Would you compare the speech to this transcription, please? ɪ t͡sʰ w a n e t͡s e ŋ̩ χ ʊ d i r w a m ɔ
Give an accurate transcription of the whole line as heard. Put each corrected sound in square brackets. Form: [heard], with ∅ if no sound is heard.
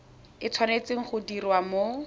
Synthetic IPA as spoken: ɪ t͡sʰ w a n e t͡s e ŋ̩ χ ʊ d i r w a m [o]